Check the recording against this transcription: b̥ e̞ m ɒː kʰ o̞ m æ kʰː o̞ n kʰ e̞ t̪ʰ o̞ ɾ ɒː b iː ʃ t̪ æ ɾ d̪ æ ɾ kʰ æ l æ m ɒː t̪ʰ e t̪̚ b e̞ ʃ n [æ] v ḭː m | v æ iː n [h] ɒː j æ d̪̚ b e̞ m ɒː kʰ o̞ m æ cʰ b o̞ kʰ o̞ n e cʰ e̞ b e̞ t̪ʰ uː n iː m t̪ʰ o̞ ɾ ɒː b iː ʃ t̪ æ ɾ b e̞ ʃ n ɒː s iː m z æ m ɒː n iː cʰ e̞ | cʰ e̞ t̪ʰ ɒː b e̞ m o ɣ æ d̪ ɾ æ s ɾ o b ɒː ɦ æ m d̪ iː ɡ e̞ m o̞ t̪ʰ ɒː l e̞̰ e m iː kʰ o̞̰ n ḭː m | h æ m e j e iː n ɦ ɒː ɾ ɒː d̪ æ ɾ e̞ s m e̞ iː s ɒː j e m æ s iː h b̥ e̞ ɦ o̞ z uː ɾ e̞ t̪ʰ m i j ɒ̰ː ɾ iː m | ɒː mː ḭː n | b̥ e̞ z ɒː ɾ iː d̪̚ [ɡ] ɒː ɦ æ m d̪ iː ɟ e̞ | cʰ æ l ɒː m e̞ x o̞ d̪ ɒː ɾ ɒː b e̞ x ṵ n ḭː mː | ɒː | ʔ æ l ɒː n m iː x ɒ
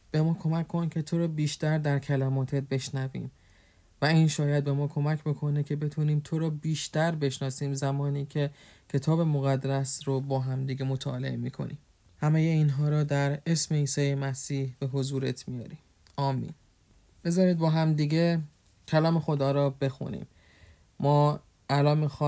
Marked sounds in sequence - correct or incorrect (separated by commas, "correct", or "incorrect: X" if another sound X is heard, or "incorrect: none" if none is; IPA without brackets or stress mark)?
correct, incorrect: ʃ, incorrect: b